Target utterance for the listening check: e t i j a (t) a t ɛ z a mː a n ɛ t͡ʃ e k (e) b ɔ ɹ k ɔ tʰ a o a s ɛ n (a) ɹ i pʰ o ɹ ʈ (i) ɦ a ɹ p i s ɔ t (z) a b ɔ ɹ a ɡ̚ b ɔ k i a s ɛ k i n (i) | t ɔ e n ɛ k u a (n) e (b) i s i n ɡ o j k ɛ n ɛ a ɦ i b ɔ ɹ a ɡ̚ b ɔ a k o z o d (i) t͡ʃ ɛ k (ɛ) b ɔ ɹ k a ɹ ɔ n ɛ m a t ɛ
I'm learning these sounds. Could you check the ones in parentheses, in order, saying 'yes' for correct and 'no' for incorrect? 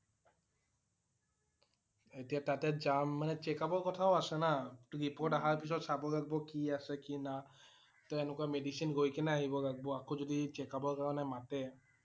yes, no, yes, no, no, no, no, no, yes, no

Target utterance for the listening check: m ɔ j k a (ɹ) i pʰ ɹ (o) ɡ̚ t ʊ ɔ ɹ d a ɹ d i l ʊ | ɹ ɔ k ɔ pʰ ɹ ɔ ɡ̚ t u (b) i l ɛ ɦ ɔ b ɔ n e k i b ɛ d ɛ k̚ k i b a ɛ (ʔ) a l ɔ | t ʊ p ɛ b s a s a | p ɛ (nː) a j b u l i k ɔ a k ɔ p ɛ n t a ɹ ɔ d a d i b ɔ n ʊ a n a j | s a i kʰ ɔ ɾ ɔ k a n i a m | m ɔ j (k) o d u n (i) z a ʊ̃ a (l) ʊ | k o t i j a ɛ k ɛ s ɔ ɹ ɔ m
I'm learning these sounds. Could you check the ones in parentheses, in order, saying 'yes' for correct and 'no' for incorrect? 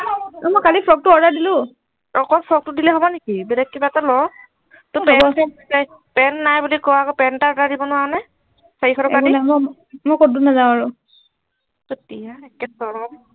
no, no, no, no, yes, yes, no, no

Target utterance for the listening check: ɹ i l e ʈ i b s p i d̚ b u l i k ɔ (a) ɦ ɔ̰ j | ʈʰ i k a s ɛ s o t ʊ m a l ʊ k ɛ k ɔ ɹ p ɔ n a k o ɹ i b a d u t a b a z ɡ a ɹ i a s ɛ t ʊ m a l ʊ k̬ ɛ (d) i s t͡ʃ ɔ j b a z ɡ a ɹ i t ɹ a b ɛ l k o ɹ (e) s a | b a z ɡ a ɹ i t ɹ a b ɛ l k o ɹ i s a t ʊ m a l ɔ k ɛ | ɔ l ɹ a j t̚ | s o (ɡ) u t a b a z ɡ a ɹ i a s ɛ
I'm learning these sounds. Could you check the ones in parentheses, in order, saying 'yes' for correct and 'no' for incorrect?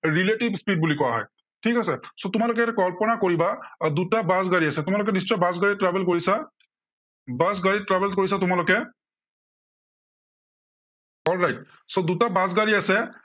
yes, no, no, no

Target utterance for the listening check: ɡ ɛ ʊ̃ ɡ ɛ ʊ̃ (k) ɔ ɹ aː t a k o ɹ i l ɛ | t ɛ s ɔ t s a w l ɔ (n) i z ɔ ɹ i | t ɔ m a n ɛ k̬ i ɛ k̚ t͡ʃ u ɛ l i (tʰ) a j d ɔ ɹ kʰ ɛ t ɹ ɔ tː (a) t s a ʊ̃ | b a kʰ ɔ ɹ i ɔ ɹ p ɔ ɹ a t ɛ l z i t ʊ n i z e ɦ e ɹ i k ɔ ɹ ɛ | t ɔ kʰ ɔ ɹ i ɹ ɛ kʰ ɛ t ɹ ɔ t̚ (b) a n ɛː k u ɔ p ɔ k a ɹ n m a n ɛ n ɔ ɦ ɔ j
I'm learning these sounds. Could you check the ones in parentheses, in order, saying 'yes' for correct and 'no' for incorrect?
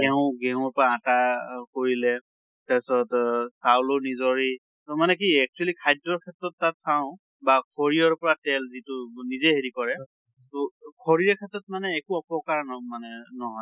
no, yes, no, yes, no

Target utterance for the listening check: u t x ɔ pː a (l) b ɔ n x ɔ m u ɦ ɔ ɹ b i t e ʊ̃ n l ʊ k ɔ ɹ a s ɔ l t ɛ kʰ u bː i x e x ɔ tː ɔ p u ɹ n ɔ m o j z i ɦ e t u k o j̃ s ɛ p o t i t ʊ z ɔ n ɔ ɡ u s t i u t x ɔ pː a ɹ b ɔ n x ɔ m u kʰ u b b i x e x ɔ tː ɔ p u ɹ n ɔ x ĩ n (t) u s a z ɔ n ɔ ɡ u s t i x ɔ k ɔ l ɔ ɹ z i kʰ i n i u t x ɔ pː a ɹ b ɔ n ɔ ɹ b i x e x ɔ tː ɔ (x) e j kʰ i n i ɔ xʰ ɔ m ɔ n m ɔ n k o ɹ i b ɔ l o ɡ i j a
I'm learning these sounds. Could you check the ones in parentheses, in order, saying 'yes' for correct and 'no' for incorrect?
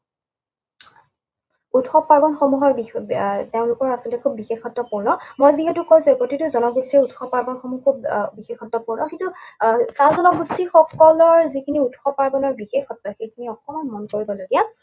no, yes, yes

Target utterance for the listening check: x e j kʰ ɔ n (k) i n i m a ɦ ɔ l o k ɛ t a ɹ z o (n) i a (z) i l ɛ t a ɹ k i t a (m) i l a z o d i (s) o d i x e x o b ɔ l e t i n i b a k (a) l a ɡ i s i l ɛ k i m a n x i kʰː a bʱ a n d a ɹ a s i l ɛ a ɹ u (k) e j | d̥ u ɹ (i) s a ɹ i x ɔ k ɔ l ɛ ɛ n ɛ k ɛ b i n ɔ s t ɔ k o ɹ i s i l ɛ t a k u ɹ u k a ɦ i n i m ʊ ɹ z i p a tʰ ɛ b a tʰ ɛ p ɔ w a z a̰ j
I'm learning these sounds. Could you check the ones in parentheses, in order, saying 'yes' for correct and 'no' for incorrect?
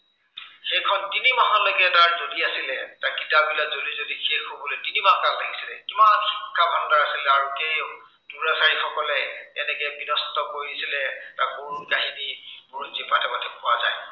no, no, no, no, no, yes, yes, no

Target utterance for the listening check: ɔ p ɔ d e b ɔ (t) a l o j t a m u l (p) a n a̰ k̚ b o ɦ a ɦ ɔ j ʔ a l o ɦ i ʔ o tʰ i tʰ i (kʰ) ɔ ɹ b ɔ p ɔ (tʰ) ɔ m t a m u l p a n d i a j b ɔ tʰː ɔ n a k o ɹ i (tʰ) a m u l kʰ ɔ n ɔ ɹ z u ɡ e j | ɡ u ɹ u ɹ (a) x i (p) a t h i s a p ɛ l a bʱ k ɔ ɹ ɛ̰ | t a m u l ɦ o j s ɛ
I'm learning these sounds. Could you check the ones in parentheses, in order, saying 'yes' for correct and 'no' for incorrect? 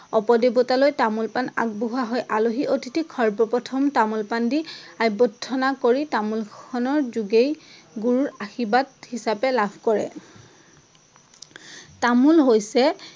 yes, yes, yes, yes, no, yes, no

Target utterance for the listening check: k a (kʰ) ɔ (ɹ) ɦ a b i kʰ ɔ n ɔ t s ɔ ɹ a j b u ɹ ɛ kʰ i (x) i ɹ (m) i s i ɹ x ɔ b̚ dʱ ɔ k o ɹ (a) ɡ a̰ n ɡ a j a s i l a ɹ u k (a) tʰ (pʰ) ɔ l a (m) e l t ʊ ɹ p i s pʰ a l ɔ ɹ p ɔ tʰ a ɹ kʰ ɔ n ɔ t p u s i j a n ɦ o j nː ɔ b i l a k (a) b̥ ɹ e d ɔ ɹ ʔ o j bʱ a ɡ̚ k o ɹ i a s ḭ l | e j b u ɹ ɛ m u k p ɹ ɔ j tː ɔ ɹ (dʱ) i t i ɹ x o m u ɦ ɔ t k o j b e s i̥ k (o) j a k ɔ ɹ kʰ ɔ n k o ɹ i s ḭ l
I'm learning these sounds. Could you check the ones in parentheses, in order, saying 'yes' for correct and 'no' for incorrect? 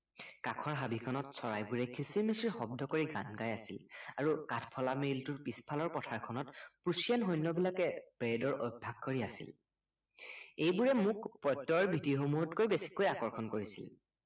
yes, yes, no, yes, no, yes, yes, yes, no, no, yes

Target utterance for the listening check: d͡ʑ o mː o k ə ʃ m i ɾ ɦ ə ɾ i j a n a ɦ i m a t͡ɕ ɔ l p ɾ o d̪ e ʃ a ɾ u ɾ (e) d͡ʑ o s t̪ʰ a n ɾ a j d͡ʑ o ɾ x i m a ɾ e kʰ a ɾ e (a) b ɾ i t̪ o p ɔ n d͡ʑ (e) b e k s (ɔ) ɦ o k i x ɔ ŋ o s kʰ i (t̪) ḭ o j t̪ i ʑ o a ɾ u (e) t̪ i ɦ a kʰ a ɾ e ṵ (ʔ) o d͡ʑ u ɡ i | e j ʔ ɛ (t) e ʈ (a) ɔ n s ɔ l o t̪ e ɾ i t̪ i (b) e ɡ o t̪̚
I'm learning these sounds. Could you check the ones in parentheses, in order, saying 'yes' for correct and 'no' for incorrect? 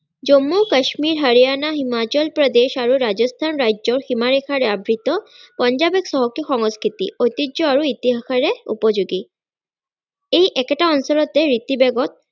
no, yes, no, yes, yes, no, no, no, yes, yes

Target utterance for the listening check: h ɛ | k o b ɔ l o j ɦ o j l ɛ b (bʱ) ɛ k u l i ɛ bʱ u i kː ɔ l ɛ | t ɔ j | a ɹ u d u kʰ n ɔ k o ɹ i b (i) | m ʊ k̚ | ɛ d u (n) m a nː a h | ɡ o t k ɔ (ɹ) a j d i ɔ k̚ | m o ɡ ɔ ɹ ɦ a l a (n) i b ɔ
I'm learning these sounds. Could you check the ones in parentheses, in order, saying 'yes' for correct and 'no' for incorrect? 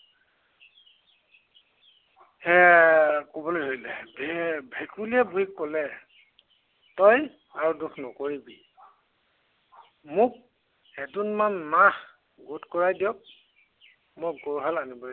yes, yes, yes, yes, yes

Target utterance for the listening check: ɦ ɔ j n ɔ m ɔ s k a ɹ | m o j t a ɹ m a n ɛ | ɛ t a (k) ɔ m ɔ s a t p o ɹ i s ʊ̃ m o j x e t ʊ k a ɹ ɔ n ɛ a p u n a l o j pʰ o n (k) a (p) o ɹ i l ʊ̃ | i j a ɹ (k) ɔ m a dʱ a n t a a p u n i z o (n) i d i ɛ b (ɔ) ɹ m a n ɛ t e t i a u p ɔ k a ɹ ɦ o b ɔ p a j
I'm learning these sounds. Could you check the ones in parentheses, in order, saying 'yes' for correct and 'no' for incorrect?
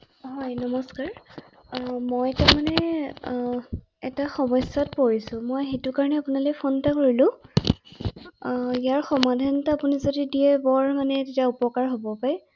no, no, no, no, no, yes

